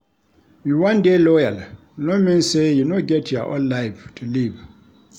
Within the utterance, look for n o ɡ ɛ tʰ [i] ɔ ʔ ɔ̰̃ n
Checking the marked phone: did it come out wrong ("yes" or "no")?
yes